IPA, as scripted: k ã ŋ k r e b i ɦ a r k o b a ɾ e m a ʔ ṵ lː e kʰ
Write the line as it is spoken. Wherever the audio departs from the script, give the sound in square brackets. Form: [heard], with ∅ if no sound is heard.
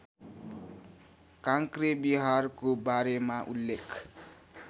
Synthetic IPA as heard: k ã ŋ k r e b i ɦ a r k o b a ɾ e m a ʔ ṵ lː e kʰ